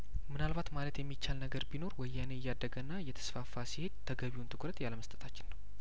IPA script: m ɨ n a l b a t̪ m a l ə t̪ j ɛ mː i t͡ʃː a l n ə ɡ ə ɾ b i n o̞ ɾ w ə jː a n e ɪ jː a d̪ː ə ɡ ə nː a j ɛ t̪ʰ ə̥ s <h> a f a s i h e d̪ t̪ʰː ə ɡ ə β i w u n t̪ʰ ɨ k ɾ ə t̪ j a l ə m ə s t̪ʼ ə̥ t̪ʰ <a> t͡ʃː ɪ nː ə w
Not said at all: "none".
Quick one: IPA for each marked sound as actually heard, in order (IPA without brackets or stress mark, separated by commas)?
f, a